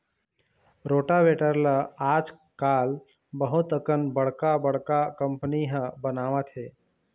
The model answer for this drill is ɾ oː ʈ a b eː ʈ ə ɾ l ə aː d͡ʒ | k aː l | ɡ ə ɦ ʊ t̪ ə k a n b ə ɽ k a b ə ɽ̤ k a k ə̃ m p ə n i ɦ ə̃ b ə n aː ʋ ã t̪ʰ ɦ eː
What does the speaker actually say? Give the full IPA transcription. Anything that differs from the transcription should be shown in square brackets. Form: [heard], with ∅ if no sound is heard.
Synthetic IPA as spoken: ɾ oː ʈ a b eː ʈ ə ɾ l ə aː d͡ʒ | k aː l | [b] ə ɦ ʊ t̪ ə k [ə] n b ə ɽ k a b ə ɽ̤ k a k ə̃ m p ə n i ɦ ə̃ b ə n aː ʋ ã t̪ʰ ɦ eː